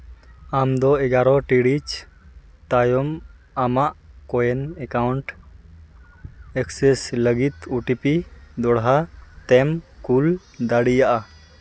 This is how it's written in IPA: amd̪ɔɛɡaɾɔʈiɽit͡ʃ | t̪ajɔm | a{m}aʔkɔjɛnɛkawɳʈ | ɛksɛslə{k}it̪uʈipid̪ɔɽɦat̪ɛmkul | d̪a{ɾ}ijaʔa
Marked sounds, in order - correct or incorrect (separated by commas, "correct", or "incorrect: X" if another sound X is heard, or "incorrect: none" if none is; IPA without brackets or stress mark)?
correct, incorrect: ɡ, incorrect: ɽ